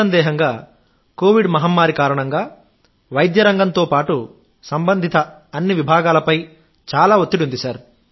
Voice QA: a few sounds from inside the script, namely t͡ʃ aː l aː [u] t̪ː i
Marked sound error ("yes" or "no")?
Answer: yes